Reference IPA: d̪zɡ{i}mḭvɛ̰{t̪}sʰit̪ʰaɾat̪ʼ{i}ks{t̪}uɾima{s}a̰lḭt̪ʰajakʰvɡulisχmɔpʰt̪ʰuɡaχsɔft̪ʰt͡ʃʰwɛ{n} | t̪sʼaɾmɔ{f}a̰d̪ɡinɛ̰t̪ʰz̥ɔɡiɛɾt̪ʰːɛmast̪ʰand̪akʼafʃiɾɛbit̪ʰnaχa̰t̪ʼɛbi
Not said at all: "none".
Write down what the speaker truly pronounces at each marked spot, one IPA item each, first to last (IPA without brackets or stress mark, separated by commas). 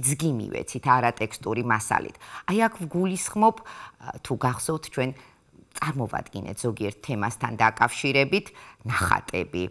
i, t̪, ɛ, t̪ʼ, s, n, v